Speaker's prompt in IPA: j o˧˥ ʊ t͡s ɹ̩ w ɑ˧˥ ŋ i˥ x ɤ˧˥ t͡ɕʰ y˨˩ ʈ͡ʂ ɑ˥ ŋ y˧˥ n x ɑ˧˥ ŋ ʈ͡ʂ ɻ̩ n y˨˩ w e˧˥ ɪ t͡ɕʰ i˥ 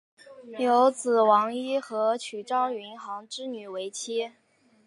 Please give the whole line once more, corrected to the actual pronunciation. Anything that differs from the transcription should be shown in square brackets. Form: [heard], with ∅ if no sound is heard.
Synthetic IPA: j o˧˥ ʊ t͡s ɹ̩ w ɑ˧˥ ŋ i˥ x ɤ˧˥ t͡ɕʰ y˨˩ ʈ͡ʂ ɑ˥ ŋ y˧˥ n x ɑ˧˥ ŋ ʈ͡ʂ ɻ̩ n y˨˩ w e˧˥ ɪ t͡ɕʰ i˥